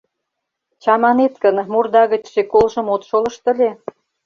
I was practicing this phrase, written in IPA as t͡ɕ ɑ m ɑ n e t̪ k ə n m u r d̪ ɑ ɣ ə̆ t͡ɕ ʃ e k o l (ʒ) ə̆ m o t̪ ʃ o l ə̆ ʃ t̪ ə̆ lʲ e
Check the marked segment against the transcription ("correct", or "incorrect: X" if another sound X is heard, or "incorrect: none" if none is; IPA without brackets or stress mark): correct